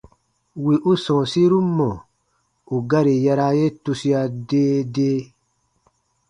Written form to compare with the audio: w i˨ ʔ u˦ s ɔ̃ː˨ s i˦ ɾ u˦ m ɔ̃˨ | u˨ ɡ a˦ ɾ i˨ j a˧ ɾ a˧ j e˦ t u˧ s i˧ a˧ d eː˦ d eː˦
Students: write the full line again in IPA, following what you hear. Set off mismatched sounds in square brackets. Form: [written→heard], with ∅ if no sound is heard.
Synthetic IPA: w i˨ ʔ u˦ s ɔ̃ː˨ s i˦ ɾ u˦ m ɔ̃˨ | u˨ ɡ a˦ ɾ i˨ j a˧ ɾ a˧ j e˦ t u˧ s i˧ a˧ d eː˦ d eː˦